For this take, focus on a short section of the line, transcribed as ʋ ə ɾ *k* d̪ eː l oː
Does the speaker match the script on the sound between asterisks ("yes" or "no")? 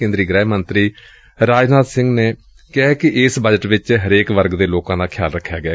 no